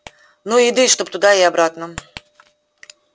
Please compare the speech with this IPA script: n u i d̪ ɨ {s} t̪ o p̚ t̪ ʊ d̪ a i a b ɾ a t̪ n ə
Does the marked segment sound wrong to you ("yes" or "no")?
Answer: yes